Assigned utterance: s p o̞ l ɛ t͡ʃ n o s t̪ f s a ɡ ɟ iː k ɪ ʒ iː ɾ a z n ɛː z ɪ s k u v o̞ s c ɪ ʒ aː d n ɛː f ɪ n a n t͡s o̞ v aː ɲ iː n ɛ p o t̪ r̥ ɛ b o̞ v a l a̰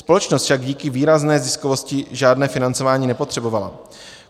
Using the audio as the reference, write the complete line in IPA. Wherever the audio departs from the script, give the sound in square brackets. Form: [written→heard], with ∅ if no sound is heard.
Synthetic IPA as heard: s p o̞ l ɛ t͡ʃ n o s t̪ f [s→ʃ] a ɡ ɟ iː k ɪ [ʒ→v] iː ɾ a z n ɛː z ɪ s k [u→o] v o̞ s c ɪ ʒ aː d n ɛː f ɪ n a n t͡s o̞ v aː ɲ iː n ɛ p o t̪ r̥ ɛ b o̞ v a l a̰